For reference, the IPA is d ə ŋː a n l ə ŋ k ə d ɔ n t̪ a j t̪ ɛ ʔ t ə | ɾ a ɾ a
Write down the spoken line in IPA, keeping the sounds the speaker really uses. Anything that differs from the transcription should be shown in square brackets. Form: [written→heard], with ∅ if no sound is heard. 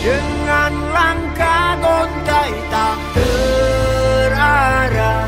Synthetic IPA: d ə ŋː a n l [ə→a] ŋ k [ə→a] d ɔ n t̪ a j t̪ [ɛ→a] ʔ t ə | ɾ a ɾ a